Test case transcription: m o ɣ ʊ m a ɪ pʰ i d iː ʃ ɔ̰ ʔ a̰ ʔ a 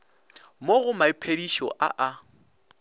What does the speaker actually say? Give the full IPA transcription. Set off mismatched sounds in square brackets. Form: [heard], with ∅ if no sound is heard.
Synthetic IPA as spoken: m o ɣ ʊ m a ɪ pʰ [e] d [i] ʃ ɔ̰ ʔ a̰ ʔ a